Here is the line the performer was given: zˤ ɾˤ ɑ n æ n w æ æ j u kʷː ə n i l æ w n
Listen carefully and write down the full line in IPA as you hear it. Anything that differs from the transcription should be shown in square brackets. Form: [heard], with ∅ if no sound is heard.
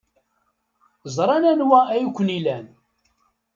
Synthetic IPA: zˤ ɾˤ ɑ n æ n w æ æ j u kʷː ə n i l æ [∅] n